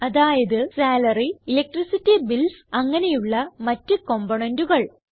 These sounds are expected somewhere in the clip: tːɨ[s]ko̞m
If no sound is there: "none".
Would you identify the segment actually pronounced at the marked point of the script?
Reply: none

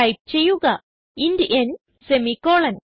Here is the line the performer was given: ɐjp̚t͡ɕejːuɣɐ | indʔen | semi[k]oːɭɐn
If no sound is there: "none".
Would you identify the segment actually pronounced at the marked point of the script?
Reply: k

